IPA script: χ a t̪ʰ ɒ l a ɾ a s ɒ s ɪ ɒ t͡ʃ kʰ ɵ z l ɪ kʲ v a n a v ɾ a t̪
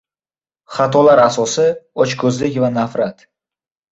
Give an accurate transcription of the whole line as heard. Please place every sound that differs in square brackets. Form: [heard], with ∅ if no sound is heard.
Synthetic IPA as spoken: χ a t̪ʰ ɒ l a ɾ a s ɒ s ɪ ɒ t͡ʃ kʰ ɵ z l ɪ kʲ v a n a [f] ɾ a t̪